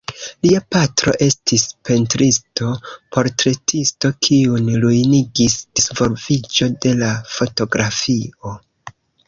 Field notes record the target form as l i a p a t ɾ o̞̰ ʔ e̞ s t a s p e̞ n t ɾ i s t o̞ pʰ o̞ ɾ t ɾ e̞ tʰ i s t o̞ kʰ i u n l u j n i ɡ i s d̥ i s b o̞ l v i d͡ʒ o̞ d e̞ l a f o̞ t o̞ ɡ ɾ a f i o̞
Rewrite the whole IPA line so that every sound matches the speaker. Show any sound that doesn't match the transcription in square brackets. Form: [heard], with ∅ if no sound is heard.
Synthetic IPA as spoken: l i a p a t ɾ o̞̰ ʔ e̞ s t [i] s p e̞ n t ɾ i s t o̞ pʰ o̞ ɾ t ɾ e̞ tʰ i s t o̞ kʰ i u n l u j n i ɡ i s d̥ i s [v] o̞ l v i d͡ʒ o̞ d e̞ l a f o̞ t o̞ ɡ ɾ a f i o̞